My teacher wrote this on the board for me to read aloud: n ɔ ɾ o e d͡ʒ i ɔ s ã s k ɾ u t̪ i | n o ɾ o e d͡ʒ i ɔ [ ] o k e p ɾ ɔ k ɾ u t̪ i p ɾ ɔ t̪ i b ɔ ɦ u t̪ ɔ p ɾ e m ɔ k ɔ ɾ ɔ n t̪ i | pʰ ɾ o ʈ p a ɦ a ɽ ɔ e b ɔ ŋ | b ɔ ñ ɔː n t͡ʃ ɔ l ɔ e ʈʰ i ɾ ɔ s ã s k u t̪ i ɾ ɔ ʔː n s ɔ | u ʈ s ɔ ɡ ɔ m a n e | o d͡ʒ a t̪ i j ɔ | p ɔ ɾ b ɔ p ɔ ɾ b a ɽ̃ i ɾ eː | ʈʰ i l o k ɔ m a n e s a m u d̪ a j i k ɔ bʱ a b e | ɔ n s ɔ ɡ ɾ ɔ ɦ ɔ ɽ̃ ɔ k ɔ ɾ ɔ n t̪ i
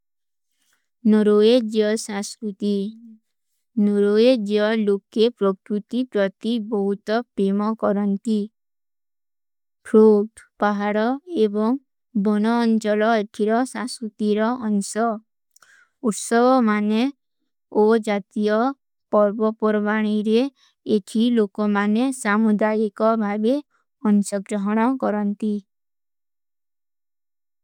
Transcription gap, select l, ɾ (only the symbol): l